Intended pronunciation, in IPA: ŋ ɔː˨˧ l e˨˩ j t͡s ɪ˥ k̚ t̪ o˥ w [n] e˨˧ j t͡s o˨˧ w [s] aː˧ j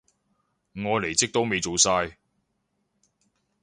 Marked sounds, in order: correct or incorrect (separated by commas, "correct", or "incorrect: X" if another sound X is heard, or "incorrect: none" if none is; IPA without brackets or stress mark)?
incorrect: m, correct